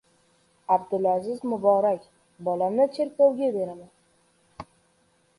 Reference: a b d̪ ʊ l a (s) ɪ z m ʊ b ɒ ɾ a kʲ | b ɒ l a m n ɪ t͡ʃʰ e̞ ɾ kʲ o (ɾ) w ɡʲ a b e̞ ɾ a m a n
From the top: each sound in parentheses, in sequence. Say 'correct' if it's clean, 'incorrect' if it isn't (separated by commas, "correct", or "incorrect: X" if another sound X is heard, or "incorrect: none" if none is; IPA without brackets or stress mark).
incorrect: z, incorrect: none